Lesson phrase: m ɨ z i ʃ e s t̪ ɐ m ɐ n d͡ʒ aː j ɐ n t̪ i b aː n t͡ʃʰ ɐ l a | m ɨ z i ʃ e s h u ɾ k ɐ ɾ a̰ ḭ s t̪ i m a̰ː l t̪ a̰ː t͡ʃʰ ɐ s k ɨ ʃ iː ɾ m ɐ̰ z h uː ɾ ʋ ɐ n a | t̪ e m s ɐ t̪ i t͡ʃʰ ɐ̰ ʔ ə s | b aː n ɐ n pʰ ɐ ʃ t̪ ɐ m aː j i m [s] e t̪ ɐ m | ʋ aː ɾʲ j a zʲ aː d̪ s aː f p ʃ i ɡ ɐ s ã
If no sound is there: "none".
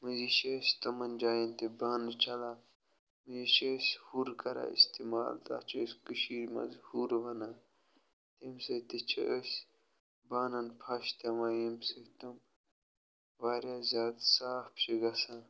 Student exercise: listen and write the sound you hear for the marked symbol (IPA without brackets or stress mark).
s